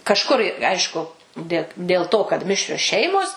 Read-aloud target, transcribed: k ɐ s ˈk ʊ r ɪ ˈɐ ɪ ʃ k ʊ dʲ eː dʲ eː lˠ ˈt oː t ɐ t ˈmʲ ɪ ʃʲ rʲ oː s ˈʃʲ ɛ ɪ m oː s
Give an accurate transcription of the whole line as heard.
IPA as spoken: k ɐ ʃ ˈk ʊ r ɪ ˈɐ ɪ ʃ k ʊ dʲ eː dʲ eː lˠ ˈt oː k ɐ t ˈmʲ ɪ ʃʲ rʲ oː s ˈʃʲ ɛ ɪ m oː s

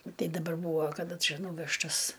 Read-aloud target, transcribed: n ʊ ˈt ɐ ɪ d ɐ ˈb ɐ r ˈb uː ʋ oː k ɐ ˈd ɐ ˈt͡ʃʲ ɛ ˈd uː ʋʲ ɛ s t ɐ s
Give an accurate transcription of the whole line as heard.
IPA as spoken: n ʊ ˈt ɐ ɪ d ɐ ˈb ɐ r ˈb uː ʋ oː k ɐ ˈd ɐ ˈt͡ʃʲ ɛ ˈn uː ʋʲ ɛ ʃ t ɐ s

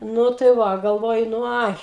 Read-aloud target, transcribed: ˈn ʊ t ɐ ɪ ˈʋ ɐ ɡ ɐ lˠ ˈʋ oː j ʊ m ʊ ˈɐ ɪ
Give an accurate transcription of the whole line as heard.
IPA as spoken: ˈn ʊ t ɐ ɪ ˈʋ ɐ ɡ ɐ lˠ ˈʋ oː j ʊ n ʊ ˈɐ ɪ

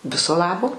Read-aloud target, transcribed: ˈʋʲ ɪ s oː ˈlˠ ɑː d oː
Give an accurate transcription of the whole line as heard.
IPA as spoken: ˈʋʲ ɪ s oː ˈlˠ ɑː b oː

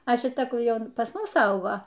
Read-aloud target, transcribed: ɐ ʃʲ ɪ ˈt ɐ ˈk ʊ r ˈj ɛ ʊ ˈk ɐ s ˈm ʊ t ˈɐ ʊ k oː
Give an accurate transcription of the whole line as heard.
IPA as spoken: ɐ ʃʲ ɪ ˈt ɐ ˈk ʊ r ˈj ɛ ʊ ˈp ɐ s ˈm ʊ s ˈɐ ʊ ɡ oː

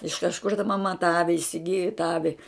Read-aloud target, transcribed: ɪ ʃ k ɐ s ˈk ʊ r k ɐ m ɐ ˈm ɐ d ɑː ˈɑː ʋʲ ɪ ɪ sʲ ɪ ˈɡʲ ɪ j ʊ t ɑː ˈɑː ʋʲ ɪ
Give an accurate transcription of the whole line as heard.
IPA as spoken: ɪ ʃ k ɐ ʃ ˈk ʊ r t ɐ m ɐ ˈm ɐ t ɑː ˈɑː ʋʲ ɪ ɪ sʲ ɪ ˈɡʲ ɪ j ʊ t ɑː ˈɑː ʋʲ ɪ

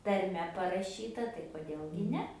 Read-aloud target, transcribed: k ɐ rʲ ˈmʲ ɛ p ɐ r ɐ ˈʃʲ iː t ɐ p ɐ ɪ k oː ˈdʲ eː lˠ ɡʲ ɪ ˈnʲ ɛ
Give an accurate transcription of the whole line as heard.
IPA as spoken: t ɐ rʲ ˈmʲ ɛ p ɐ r ɐ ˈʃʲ iː t ɐ t ɐ ɪ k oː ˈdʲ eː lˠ ɡʲ ɪ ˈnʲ ɛ

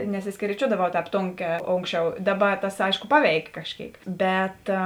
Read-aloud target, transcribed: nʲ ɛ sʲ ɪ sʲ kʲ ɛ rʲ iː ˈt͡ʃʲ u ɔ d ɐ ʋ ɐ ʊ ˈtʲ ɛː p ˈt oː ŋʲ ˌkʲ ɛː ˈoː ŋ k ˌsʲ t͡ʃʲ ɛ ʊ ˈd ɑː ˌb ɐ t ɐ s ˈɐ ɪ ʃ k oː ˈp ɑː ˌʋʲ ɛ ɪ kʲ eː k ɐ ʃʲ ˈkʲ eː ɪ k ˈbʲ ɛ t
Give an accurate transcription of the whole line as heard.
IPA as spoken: nʲ ɛ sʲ ɪ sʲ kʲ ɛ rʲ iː ˈt͡ʃʲ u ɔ d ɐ ʋ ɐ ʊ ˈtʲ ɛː p ˈt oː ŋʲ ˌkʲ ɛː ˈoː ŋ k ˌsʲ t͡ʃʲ ɛ ʊ ˈd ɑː ˌb ɐ t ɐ s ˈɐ ɪ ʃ k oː ˈp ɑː ˌʋʲ ɛ ɪ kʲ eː k ɐ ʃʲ ˈkʲ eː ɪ k ˈbʲ ɛ t

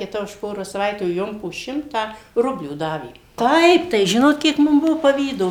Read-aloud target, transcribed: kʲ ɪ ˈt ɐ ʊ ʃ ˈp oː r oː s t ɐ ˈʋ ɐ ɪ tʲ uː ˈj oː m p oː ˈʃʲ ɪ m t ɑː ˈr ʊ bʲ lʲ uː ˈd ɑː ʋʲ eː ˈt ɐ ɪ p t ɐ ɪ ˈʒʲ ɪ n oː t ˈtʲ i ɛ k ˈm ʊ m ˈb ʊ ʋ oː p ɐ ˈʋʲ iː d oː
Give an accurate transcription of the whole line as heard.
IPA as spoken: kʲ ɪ ˈt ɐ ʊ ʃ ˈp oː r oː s s ɐ ˈʋ ɐ ɪ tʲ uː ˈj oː m p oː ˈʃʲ ɪ m t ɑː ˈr ʊ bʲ lʲ uː ˈd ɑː ʋʲ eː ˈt ɐ ɪ p t ɐ ɪ ˈʒʲ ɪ n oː t ˈkʲ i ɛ k ˈm ʊ m ˈb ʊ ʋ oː p ɐ ˈʋʲ iː d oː

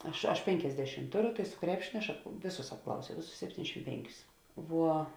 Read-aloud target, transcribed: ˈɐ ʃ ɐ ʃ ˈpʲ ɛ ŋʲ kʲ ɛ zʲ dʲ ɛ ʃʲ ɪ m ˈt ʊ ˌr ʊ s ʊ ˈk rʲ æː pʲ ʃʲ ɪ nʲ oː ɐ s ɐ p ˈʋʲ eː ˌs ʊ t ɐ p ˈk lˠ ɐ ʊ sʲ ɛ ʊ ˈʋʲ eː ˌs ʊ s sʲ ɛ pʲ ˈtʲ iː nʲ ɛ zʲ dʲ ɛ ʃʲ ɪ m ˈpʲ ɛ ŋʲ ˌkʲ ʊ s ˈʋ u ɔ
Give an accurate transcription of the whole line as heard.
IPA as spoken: ˈɐ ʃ ɐ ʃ ˈpʲ ɛ ŋʲ kʲ ɛ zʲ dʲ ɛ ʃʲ ɪ m ˈt ʊ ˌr ʊ s ʊ ˈk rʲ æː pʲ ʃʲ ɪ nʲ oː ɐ ʃ ɐ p ˈʋʲ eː ˌs ʊ s ɐ p ˈk lˠ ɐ ʊ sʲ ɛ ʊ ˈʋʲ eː ˌs ʊ s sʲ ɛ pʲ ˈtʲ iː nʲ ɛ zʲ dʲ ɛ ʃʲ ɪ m ˈpʲ ɛ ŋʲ ˌkʲ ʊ s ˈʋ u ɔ

